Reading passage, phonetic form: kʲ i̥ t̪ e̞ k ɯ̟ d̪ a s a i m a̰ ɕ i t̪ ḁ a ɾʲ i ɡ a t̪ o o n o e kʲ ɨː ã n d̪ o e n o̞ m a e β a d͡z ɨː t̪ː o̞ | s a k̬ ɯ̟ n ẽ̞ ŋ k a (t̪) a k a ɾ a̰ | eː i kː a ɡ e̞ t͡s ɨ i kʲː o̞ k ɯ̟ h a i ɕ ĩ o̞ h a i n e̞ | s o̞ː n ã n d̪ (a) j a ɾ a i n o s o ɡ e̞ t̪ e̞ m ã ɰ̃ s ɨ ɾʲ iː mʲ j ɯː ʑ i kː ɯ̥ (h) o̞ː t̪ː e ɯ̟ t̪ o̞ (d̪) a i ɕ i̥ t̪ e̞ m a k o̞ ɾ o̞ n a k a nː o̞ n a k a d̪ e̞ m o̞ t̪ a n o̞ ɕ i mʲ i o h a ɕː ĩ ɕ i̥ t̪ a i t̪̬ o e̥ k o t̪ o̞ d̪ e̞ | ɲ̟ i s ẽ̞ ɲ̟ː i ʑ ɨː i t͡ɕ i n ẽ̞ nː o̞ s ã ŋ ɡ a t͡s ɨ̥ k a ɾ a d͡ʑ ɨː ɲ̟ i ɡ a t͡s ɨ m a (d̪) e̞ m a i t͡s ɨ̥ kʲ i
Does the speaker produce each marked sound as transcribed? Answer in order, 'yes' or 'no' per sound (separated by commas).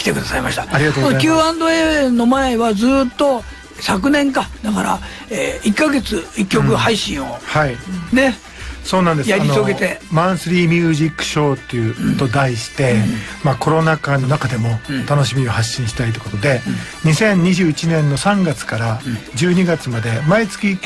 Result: no, no, no, yes, yes